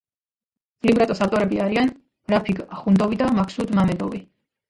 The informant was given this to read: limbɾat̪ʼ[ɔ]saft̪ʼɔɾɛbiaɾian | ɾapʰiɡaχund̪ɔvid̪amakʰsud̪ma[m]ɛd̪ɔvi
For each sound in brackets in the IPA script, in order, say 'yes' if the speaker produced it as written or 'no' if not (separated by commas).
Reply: yes, yes